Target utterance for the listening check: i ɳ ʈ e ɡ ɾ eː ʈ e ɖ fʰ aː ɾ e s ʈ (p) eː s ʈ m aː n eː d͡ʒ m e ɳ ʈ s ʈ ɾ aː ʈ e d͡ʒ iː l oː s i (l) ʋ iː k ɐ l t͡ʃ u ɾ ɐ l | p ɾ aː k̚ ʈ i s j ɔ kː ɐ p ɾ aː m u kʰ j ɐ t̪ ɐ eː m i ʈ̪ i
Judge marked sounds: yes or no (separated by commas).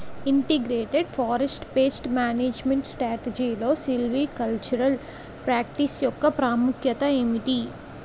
yes, yes